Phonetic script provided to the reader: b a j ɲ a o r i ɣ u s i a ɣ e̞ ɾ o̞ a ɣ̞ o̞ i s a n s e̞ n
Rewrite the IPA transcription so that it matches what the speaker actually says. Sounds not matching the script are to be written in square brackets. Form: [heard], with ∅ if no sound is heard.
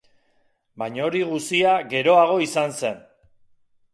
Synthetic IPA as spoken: b a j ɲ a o [ɾ] i ɣ u s i a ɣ e̞ ɾ o̞ a ɣ̞ o̞ i s a n s e̞ n